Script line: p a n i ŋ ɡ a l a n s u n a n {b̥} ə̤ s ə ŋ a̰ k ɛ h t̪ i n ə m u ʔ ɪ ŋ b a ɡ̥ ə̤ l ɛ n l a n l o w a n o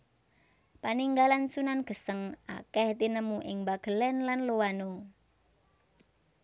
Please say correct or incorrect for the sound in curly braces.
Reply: incorrect